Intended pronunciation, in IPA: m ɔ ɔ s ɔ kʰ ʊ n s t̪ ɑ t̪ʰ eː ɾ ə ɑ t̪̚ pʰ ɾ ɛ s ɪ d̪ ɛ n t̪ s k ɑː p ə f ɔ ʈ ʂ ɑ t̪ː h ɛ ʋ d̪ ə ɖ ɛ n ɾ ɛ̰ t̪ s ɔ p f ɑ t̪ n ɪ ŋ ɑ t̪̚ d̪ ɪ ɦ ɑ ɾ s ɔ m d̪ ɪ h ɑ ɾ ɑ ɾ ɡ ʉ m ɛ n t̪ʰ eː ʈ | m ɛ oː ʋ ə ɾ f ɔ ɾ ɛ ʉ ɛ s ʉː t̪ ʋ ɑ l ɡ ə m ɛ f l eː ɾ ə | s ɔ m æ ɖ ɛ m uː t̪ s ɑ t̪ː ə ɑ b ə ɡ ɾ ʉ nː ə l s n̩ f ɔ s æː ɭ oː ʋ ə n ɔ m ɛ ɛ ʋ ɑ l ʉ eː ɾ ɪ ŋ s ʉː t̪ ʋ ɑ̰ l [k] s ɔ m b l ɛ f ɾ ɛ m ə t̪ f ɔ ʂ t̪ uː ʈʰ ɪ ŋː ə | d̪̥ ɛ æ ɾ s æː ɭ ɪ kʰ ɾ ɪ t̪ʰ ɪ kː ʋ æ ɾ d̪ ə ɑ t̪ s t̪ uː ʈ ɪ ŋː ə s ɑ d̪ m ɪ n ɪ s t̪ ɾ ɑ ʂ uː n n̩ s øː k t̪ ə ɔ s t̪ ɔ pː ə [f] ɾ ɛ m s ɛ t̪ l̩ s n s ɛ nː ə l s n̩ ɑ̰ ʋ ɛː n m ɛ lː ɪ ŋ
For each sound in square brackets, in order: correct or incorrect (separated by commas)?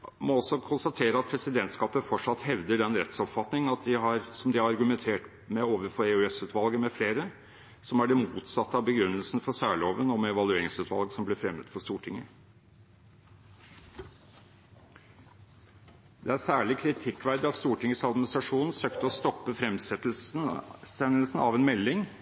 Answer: incorrect, correct